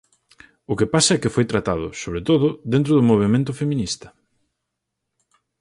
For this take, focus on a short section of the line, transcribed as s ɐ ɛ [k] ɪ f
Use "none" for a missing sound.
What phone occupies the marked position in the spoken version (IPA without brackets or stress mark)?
k